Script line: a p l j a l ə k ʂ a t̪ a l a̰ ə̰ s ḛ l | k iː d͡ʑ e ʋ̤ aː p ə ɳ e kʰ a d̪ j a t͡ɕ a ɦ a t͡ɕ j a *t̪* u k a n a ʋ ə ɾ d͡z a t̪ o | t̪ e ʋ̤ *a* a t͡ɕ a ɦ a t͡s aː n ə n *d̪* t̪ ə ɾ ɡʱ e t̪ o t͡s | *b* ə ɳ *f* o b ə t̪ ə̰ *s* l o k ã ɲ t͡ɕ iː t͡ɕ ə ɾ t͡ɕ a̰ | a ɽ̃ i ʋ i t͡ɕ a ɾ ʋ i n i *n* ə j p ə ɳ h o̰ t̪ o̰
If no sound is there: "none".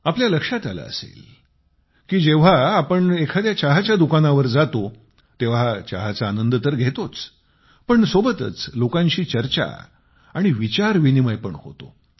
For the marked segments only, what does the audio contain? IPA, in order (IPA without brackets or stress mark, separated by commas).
d̪, a, d̪, p, s, t͡s, m